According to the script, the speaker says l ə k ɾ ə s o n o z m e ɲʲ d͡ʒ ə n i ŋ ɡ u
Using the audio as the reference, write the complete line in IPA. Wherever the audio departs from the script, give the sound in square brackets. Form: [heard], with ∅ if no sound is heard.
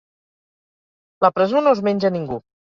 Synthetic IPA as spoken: l ə [p] ɾ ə [z] o n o z m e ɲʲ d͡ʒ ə n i ŋ ɡ u